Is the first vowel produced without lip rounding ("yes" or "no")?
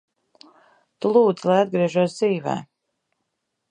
no